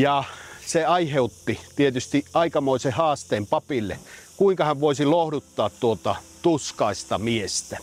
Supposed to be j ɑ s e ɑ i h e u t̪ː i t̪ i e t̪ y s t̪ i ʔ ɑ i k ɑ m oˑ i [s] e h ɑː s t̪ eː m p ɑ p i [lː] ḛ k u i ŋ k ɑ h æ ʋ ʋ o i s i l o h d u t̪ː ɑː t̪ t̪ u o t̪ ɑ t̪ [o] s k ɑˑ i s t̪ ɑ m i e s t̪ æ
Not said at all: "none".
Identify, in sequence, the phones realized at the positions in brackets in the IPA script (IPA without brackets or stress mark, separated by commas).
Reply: s, lː, u